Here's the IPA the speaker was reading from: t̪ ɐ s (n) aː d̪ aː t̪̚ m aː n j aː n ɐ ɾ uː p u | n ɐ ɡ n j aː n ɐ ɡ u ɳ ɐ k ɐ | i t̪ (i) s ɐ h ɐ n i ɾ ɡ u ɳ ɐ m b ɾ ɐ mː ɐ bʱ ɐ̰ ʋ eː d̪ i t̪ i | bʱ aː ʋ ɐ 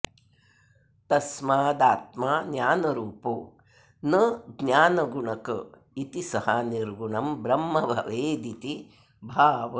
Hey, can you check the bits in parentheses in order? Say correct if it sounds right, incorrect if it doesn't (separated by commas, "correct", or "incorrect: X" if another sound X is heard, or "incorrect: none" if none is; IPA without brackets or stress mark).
incorrect: m, correct